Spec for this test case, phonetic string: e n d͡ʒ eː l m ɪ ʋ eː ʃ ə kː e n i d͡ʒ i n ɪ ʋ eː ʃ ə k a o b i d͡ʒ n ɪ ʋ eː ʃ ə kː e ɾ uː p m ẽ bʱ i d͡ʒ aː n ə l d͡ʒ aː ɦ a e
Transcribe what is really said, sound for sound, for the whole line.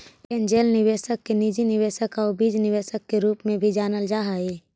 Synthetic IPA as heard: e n d͡ʒ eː l n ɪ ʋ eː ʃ ə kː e n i d͡ʒ i n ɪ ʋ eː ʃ ə k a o b i d͡ʒ n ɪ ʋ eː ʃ ə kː e ɾ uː p m ẽ bʱ i d͡ʒ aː n ə l d͡ʒ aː ɦ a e